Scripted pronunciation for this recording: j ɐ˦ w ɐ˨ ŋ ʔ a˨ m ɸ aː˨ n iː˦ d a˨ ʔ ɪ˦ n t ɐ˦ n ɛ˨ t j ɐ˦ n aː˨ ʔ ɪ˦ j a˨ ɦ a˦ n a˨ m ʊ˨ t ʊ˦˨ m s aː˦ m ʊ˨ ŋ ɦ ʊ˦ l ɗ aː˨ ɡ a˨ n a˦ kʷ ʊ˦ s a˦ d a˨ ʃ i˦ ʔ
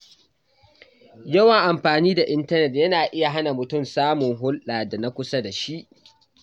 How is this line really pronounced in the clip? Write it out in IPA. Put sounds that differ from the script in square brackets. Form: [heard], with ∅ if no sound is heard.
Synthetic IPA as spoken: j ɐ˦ w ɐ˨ ŋ ʔ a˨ m ɸ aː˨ n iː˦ d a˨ ʔ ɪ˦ n t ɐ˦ n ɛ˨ t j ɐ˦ n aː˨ ʔ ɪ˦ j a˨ ɦ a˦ n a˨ m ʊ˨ t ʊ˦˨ m s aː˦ m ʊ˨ ŋ ɦ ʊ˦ l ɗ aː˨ [d] a˨ n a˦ kʷ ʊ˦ s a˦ d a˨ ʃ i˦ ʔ